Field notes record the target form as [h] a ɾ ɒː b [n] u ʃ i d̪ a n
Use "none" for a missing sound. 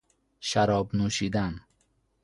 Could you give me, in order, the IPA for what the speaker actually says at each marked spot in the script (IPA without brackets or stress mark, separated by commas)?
ʃ, n